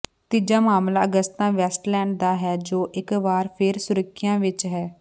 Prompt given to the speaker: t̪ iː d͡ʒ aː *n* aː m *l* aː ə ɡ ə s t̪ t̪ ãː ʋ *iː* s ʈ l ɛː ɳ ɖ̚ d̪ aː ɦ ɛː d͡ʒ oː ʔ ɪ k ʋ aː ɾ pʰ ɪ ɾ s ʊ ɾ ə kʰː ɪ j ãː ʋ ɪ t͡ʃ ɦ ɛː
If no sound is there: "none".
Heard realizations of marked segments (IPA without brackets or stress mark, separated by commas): m, l, ɛː